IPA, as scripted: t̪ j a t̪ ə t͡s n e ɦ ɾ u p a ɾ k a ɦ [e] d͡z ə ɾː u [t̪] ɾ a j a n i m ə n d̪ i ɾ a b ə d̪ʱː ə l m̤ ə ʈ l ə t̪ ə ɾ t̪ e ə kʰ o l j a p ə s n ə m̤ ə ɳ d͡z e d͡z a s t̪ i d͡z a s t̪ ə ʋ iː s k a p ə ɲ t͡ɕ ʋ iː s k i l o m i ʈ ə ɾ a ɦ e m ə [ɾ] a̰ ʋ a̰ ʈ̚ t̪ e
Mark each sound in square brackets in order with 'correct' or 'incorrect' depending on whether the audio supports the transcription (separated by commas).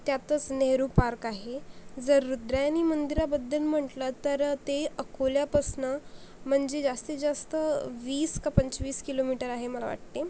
correct, incorrect, incorrect